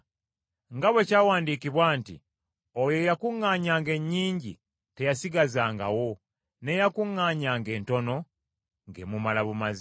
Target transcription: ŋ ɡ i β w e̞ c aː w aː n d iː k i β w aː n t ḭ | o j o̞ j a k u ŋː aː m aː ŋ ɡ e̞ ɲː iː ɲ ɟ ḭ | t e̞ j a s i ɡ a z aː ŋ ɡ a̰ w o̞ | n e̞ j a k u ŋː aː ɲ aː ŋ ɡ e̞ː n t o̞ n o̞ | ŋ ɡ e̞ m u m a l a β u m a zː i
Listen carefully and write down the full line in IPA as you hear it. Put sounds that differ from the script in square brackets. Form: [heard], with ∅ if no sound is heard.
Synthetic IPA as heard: ŋ ɡ [a] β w e̞ c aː w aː n d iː k i β w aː n t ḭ | o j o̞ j a k u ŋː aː [ɲ] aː ŋ ɡ e̞ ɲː iː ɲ ɟ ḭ | t e̞ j a s i ɡ a z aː ŋ ɡ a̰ w o̞ | n e̞ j a k u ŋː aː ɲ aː ŋ ɡ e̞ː n t o̞ n o̞ | ŋ ɡ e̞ m u m a l a β u m a [z] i